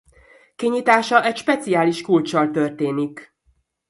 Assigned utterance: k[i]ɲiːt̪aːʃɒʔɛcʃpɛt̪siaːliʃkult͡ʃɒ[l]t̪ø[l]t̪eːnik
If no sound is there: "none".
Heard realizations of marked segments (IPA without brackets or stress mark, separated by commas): i, l, r